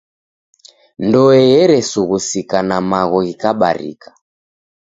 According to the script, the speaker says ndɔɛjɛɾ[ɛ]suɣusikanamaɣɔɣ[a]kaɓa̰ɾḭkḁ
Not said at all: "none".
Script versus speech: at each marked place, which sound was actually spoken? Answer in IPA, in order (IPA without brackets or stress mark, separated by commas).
ɛ, i